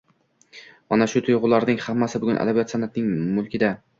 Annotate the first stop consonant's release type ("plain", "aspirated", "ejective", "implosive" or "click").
aspirated